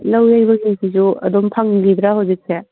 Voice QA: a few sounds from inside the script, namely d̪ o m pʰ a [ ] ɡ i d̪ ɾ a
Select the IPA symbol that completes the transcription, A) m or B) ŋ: B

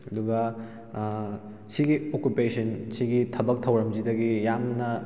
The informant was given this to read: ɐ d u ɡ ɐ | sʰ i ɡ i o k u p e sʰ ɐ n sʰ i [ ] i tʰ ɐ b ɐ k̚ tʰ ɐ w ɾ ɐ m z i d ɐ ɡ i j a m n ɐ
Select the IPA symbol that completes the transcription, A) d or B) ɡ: B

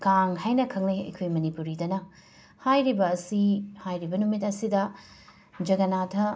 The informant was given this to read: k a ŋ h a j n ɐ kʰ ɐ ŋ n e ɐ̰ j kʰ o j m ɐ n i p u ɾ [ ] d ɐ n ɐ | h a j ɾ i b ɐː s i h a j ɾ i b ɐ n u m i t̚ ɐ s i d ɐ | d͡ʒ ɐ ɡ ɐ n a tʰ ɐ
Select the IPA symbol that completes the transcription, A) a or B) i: B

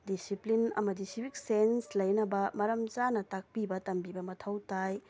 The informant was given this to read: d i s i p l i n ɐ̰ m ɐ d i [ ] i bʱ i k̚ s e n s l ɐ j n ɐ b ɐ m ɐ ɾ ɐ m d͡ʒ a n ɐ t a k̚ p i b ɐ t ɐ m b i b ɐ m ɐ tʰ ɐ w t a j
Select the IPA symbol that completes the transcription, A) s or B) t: A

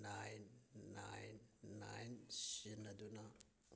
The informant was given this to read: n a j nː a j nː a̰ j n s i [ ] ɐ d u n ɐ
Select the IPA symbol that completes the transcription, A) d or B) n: B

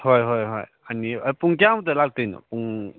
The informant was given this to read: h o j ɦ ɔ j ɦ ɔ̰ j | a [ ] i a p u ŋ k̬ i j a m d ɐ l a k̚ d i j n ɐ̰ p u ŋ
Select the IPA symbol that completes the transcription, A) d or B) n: B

